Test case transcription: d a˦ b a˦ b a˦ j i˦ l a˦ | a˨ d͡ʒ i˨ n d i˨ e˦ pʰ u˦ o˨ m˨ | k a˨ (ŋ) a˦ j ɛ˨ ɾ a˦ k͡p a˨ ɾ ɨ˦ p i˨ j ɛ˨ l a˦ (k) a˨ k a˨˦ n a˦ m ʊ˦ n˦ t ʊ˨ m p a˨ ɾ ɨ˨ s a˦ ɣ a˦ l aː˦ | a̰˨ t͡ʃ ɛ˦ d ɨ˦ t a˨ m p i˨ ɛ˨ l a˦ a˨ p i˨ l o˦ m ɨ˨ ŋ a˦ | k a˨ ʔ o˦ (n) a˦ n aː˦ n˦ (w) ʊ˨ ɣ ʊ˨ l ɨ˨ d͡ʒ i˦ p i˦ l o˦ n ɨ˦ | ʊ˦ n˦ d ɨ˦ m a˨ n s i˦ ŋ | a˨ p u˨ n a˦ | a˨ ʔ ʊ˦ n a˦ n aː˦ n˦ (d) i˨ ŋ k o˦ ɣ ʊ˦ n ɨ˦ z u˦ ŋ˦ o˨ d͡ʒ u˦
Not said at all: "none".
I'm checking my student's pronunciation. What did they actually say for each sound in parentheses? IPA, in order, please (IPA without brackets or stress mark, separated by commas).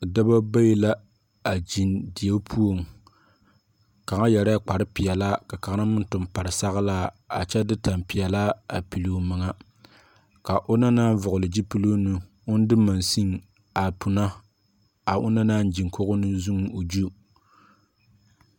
ŋ, k, n, v, d͡ʒ